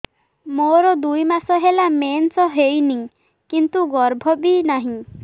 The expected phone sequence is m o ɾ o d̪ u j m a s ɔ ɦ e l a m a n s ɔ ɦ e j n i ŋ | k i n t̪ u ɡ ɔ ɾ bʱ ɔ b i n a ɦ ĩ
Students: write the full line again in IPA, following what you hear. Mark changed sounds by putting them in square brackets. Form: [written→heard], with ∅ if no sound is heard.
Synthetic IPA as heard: m o ɾ [o→ɔ] d̪ u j m a s ɔ ɦ e l a m [a→e] n s ɔ ɦ e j n i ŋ | k i n t̪ u ɡ ɔ ɾ bʱ ɔ b i n a ɦ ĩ